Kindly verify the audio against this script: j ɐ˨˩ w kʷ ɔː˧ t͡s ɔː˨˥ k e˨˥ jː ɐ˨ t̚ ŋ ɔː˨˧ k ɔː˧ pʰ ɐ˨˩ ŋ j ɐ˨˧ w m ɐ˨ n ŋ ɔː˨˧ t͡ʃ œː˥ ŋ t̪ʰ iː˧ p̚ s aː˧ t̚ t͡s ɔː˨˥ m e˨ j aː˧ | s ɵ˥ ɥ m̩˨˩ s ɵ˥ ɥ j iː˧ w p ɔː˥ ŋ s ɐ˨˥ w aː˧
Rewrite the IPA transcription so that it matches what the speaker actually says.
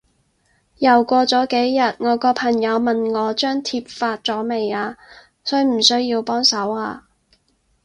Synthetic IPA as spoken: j ɐ˨˩ w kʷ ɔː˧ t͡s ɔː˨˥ k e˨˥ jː ɐ˨ t̚ ŋ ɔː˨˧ k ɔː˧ pʰ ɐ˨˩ ŋ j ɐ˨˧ w m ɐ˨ n ŋ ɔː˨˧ t͡ʃ œː˥ ŋ t̪ʰ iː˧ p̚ f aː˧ t̚ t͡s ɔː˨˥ m e˨ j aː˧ | s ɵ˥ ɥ m̩˨˩ s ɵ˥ ɥ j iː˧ w p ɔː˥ ŋ s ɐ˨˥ w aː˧

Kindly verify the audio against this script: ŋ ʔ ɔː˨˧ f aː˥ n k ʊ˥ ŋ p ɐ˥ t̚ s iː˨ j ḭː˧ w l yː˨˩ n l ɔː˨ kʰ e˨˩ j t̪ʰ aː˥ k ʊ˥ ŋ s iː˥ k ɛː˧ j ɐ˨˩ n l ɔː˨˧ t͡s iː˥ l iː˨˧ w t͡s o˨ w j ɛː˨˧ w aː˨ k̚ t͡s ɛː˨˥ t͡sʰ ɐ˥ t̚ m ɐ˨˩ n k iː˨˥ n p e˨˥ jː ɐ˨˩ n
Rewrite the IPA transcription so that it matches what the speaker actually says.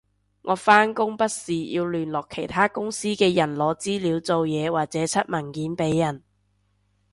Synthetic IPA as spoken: ŋ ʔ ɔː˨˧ f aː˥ n k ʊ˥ ŋ p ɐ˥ t̚ s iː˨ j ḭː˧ w l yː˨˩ n l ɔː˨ kʰ e˨˩ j t̪ʰ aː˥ k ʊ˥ ŋ s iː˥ k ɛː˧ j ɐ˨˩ n l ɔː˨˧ t͡s iː˥ l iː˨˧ w t͡s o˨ w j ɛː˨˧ w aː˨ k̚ t͡s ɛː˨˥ t͡sʰ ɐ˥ t̚ m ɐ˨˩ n k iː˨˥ n p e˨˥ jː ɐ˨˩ n

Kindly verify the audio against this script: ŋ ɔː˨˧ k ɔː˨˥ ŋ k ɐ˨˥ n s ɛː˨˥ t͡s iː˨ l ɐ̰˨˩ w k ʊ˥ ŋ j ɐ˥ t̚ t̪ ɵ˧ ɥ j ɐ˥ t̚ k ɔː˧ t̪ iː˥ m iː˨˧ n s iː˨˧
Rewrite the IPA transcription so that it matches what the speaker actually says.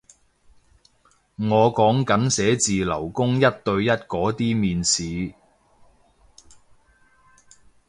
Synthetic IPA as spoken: ŋ ɔː˨˧ k ɔː˨˥ ŋ k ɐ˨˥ n s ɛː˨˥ t͡s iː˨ l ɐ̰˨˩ w k ʊ˥ ŋ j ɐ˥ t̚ t̪ ɵ˧ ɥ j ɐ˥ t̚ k ɔː˨˥ t̪ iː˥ m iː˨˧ n s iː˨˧

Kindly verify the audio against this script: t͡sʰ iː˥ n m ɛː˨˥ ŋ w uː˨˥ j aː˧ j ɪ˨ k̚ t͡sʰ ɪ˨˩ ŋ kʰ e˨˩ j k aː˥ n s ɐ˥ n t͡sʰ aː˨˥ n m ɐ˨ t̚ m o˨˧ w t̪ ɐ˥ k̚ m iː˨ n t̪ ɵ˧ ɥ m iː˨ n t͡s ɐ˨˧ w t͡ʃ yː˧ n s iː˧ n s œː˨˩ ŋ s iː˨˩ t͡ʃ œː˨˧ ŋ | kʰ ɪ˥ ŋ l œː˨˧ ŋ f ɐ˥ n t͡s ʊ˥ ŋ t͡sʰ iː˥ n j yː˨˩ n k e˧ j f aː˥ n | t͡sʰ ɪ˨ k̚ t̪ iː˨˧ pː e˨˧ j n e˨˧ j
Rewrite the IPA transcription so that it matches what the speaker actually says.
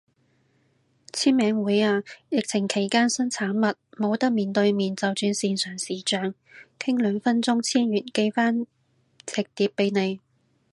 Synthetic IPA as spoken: t͡sʰ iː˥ n m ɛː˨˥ ŋ w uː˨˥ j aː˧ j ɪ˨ k̚ t͡sʰ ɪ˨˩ ŋ kʰ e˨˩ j k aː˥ n s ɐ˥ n t͡sʰ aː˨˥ n m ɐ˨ t̚ m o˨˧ w t̪ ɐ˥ k̚ m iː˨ n t̪ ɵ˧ ɥ m iː˨ n t͡s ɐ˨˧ w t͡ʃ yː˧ n s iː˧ n s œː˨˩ ŋ s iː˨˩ t͡ʃ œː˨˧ ŋ | kʰ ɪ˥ ŋ l œː˨˧ ŋ f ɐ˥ n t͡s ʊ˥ ŋ t͡sʰ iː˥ n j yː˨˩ n k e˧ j f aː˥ n | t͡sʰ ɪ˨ k̚ t̪ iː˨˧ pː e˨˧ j n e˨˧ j

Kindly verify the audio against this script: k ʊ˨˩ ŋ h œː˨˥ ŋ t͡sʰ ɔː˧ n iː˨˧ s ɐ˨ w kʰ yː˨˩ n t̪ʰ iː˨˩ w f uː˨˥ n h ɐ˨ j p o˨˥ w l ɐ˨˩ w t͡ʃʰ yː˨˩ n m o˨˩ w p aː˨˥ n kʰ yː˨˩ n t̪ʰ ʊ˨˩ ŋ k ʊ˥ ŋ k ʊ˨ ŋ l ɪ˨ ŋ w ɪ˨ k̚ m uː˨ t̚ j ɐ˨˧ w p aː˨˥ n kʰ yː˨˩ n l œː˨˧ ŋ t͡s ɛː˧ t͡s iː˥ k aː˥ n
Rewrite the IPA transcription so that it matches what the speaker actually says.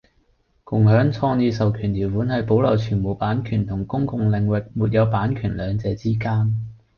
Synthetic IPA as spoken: k ʊ˨˩ ŋ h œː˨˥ ŋ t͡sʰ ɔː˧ n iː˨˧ s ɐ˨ w kʰ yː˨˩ n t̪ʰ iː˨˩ w f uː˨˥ n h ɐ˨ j p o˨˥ w l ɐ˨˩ w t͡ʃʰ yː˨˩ n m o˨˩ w p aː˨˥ n kʰ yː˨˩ n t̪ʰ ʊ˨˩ ŋ k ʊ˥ ŋ k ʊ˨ ŋ l ɪ˨ ŋ w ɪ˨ k̚ m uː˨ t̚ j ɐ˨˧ w p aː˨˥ n kʰ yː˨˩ n l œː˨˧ ŋ t͡s ɛː˧ t͡s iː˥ k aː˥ n

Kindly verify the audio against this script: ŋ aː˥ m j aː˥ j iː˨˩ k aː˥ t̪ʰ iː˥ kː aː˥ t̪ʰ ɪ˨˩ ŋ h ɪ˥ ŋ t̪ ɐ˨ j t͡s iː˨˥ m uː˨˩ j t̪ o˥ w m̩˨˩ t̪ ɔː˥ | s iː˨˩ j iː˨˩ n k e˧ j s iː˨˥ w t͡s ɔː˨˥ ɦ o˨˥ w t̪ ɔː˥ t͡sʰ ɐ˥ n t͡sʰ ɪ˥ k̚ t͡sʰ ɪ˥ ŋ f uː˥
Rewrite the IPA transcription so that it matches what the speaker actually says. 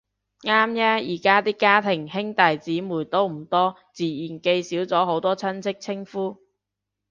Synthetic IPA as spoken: ŋ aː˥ m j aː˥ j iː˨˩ k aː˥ t̪ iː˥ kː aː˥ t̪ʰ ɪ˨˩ ŋ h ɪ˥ ŋ t̪ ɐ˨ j t͡s iː˨˥ m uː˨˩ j t̪ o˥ w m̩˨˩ t̪ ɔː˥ | t͡s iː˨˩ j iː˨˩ n k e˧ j s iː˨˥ w t͡s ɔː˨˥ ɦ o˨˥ w t̪ ɔː˥ t͡sʰ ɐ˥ n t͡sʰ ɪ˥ k̚ t͡sʰ ɪ˥ ŋ f uː˥

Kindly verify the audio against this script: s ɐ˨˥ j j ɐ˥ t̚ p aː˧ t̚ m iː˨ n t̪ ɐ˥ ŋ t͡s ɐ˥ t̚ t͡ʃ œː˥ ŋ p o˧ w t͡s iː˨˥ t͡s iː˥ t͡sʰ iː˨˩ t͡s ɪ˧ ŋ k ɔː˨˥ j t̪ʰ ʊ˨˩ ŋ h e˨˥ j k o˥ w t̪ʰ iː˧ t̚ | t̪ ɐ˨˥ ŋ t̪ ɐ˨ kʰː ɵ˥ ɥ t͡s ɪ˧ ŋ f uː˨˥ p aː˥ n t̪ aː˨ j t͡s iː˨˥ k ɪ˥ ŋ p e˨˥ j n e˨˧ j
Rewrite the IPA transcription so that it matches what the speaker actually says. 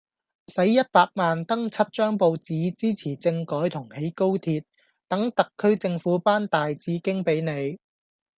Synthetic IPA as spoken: s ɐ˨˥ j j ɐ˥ t̚ p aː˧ k̚ m aː˨ n t̪ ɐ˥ ŋ t͡sʰ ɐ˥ t̚ t͡ʃ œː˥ ŋ p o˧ w t͡s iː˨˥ t͡s iː˥ t͡sʰ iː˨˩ t͡s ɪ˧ ŋ k ɔː˨˥ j t̪ʰ ʊ˨˩ ŋ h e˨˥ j k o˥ w t̪ʰ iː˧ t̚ | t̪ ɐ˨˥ ŋ t̪ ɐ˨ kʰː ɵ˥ ɥ t͡s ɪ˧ ŋ f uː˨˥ p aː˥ n t̪ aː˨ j t͡s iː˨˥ k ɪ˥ ŋ p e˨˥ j n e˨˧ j

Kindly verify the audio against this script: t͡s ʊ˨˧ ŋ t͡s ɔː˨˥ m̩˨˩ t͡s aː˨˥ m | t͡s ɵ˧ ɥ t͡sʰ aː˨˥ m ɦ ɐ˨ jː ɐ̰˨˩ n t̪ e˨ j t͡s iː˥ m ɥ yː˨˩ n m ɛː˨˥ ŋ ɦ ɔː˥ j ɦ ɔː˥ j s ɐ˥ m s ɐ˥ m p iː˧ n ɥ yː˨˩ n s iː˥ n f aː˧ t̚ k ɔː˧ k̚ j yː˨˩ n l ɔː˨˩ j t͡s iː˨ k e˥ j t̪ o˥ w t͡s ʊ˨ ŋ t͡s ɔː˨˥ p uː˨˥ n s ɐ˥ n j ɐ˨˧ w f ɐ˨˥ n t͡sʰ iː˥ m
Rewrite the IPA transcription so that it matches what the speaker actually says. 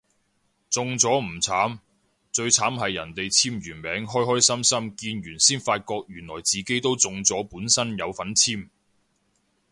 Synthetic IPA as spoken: t͡s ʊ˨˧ ŋ t͡s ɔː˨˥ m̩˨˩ t͡sʰ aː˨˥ m | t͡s ɵ˧ ɥ t͡sʰ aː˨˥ m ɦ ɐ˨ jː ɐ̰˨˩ n t̪ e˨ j t͡sʰ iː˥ m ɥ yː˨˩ n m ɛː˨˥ ŋ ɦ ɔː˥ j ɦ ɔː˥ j s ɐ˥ m s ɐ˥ m k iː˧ n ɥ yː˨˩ n s iː˥ n f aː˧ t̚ k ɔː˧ k̚ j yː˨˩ n l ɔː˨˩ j t͡s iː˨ k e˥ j t̪ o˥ w t͡s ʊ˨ ŋ t͡s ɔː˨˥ p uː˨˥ n s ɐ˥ n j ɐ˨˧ w f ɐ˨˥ n t͡sʰ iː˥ m

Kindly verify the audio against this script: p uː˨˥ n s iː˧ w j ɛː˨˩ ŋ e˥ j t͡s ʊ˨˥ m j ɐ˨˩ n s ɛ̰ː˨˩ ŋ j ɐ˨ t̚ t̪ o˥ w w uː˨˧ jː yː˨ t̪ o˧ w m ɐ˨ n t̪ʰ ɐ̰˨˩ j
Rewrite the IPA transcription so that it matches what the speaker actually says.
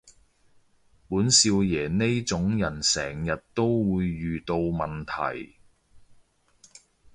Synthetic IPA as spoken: p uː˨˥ n s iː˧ w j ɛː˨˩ n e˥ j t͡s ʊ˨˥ ŋ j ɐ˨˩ n s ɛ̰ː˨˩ ŋ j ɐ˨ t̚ t̪ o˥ w w uː˨˧ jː yː˨ t̪ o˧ w m ɐ˨ n t̪ʰ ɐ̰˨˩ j

